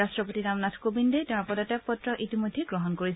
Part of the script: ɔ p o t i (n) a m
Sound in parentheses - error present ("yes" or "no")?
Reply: no